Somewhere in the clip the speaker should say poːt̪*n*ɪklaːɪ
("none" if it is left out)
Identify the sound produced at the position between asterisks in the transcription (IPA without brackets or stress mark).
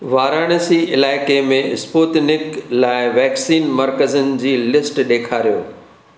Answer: n